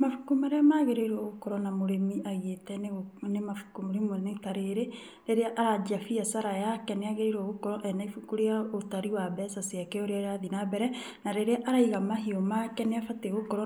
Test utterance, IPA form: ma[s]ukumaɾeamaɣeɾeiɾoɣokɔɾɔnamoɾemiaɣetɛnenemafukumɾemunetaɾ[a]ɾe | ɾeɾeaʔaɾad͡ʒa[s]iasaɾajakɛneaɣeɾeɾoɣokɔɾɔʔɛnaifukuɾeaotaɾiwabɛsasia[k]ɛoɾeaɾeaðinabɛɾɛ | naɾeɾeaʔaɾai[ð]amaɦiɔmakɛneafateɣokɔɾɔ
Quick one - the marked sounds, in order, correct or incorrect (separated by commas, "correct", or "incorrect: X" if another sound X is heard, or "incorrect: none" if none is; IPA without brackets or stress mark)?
incorrect: f, incorrect: e, incorrect: f, correct, incorrect: ɣ